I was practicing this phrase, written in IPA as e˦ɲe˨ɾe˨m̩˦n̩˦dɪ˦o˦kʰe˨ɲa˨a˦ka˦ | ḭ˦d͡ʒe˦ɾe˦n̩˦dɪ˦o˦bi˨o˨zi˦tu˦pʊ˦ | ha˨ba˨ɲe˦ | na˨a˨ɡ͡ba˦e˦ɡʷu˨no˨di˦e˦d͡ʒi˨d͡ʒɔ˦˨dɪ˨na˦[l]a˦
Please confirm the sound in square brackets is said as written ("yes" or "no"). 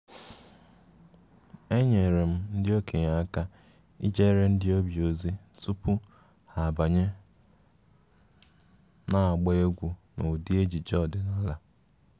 yes